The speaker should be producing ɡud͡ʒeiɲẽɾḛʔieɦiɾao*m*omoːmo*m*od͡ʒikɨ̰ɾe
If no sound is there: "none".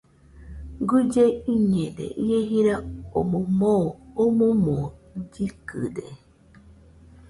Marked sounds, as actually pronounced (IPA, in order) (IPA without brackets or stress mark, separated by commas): m, m